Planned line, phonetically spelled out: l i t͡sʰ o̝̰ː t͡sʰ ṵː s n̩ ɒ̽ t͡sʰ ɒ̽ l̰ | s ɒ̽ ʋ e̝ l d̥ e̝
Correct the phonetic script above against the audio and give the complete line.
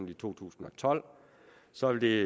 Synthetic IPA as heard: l i t͡sʰ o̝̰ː t͡sʰ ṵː s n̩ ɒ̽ t͡sʰ ɒ̽ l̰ | s ɒ̽ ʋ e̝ l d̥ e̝